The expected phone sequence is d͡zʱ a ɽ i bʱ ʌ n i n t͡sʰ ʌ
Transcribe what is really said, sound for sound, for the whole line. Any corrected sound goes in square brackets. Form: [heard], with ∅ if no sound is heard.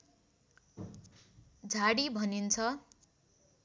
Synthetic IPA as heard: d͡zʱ a ɽ i bʱ ʌ n i n t͡sʰ ʌ